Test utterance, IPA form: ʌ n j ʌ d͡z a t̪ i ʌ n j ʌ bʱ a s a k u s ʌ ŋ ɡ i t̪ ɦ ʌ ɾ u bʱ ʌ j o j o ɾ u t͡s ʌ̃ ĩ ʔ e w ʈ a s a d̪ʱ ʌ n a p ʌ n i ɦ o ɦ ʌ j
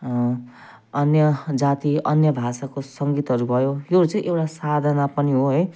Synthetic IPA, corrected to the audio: ʌ n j ʌ d͡z a t̪ i ʌ n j ʌ bʱ a s a k o s ʌ ŋ ɡ i t̪ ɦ ʌ ɾ u bʱ ʌ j o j o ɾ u t͡s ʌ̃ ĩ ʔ e w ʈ a s a d̪ʱ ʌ n a p ʌ n i ɦ o ɦ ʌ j